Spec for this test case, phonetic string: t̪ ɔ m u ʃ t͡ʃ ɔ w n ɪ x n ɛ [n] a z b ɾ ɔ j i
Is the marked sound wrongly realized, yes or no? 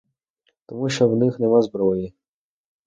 yes